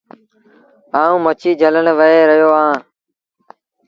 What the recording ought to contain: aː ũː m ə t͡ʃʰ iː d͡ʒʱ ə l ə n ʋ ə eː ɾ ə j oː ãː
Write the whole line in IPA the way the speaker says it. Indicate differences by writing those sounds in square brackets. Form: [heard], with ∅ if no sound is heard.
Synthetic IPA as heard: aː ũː m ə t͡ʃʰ iː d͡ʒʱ ə l ə n ʋ ə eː ɾ ə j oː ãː